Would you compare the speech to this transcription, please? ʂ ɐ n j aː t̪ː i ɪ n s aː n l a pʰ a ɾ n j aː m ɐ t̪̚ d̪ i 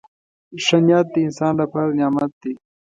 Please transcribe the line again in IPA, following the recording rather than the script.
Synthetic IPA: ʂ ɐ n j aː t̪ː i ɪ n s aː n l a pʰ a ɾ n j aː m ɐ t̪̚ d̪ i